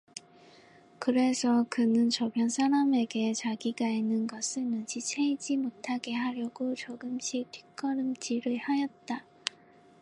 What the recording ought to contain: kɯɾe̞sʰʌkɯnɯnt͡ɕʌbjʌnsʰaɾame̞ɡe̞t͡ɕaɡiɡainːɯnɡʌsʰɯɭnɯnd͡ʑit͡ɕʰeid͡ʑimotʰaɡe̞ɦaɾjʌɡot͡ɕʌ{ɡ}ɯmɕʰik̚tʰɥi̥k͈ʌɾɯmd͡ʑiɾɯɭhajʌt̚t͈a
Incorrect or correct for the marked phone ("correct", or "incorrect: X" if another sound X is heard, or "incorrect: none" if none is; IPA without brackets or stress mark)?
correct